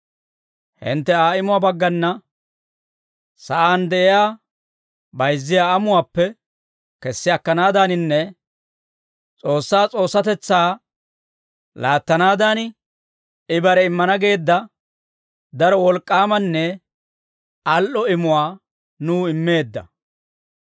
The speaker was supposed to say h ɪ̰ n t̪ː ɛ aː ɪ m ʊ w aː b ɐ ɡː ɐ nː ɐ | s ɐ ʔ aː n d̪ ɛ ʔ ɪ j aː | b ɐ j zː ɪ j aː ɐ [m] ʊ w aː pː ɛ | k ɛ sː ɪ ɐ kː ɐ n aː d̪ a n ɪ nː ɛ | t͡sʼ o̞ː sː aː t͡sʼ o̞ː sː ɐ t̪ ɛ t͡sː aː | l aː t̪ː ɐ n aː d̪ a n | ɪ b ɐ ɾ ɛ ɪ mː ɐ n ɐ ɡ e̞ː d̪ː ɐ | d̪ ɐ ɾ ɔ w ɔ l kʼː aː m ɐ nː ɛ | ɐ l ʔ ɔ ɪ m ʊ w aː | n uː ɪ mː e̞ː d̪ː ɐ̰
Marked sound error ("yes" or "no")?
no